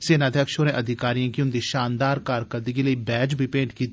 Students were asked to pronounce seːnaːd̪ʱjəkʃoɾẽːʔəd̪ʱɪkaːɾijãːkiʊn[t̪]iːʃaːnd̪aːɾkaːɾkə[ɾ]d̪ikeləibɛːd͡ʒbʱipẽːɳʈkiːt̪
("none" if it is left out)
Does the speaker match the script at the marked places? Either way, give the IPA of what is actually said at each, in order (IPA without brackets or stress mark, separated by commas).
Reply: d̪, ɾ